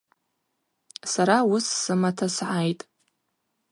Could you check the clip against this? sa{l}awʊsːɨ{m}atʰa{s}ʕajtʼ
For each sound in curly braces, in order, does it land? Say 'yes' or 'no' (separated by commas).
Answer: no, yes, yes